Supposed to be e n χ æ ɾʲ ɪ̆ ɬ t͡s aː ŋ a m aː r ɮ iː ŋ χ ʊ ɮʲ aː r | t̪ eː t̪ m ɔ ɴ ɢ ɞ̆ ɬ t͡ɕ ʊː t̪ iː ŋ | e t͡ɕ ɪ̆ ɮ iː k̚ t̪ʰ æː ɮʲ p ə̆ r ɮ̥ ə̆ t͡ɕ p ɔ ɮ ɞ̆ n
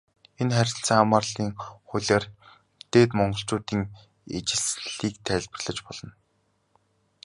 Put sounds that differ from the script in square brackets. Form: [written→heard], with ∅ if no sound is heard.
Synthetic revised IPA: e n χ æ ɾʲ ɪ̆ ɬ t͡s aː ŋ a m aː r ɮ iː ŋ χ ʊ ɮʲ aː r | t̪ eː t̪ m ɔ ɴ ɢ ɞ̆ ɬ t͡ɕ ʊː t̪ iː ŋ | e t͡ɕ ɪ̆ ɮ iː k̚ t̪ʰ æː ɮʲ p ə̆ r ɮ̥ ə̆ t͡ɕ p ɔ ɮ ɞ̆ n